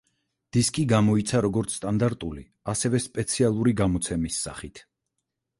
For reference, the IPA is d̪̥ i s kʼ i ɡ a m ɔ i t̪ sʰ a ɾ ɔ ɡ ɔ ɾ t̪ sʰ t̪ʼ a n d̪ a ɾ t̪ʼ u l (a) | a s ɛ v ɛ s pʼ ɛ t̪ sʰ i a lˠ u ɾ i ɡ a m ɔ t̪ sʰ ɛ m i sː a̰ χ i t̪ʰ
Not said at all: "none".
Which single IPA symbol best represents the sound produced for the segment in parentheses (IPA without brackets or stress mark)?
i